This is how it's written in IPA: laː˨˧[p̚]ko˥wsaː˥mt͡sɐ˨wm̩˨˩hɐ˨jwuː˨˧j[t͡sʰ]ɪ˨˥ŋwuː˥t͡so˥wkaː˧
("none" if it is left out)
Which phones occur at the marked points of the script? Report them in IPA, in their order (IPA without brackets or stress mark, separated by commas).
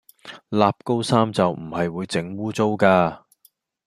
p̚, t͡s